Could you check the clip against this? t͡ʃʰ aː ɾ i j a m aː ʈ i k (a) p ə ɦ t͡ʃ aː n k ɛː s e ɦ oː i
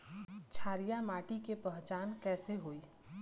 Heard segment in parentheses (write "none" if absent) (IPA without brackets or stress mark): e